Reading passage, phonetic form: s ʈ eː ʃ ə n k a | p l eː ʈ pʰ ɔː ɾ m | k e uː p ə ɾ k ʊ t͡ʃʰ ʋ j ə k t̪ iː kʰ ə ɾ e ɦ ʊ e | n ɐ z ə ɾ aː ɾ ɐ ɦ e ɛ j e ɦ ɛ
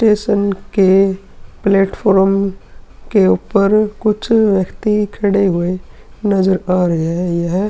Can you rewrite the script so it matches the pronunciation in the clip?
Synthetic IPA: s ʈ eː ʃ ə n k e | p l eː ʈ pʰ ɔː ɾ m | k e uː p ə ɾ k ʊ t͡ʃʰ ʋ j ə k t̪ i kʰ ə ɽ e ɦ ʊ e | n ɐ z ə ɾ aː ɾ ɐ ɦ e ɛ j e ɦ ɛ